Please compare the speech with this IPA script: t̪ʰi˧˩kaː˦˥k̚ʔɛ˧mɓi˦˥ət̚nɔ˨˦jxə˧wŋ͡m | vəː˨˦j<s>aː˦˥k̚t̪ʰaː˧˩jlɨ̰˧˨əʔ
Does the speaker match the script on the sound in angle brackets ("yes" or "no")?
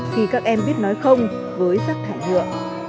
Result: yes